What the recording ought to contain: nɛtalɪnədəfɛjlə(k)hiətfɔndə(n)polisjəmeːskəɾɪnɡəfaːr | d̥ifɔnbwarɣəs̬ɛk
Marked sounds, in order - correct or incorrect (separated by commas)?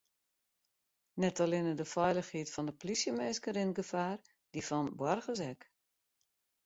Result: incorrect, incorrect